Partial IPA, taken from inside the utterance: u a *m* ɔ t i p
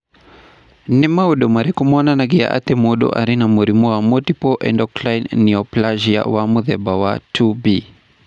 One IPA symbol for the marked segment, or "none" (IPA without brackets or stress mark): m